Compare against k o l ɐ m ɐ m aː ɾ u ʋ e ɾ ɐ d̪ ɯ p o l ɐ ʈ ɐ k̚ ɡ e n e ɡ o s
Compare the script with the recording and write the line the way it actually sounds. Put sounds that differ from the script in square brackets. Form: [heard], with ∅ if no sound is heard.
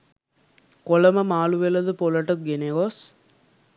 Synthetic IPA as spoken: k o l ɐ m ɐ m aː [l] u ʋ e [l] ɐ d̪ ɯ p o l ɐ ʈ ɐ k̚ ɡ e n e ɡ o s